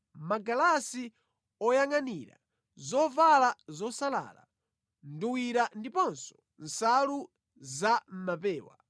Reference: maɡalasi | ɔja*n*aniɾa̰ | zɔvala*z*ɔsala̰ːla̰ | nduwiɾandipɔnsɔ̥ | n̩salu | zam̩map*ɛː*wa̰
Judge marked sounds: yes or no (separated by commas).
no, yes, yes